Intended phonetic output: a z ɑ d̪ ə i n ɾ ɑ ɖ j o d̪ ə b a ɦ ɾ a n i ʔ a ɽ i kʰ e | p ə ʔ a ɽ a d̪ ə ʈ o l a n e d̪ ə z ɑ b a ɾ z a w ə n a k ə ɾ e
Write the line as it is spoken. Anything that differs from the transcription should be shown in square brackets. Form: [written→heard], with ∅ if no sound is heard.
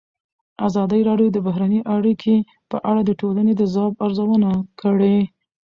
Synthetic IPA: a z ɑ d̪ ə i [n→∅] ɾ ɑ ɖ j o d̪ ə b a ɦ ɾ a n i ʔ a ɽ i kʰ e | p ə ʔ a ɽ a d̪ ə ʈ o l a n e d̪ ə z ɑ b a ɾ z a w ə n a k ə [ɾ→ɽ] e